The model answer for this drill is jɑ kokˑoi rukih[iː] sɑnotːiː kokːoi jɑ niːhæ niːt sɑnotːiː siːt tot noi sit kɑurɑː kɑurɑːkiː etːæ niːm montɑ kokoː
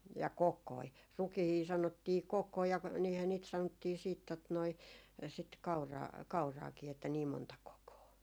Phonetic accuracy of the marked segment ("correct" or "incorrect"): correct